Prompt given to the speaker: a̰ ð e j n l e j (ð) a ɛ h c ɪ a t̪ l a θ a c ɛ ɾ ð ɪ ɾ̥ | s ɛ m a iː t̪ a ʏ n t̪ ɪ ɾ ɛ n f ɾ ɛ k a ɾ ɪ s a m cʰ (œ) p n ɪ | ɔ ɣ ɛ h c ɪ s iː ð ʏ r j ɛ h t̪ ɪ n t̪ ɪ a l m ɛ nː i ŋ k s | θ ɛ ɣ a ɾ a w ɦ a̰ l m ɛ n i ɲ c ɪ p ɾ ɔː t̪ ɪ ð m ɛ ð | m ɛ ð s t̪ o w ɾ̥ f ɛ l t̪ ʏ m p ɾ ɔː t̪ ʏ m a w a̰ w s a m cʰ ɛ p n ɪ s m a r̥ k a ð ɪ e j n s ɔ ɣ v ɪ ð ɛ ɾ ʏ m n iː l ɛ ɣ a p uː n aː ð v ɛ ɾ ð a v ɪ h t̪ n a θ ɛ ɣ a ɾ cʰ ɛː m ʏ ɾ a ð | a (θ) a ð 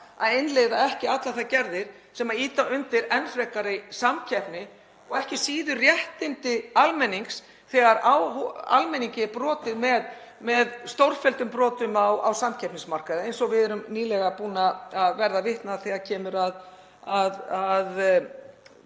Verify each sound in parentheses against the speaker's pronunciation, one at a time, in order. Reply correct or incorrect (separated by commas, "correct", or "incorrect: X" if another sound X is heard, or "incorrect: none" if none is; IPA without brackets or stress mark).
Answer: correct, incorrect: ɛ, incorrect: ð